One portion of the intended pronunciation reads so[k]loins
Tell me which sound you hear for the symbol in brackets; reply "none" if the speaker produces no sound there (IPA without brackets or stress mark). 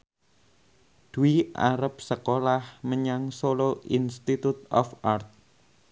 none